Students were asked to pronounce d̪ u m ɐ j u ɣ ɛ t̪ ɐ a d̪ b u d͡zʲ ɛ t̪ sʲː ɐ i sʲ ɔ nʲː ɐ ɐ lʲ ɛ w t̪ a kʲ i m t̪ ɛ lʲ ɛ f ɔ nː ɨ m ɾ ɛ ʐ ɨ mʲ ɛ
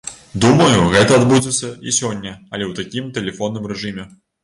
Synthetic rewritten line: d̪ u m ɐ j u ɣ ɛ t̪ ɐ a d̪ b u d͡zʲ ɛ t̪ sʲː ɐ i sʲ ɔ nʲː ɐ ɐ lʲ ɛ w t̪ a kʲ i m t̪ ɛ lʲ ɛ f ɔ nː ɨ m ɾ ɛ ʐ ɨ mʲ ɛ